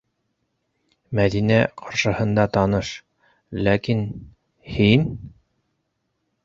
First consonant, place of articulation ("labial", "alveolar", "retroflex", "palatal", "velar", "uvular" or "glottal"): labial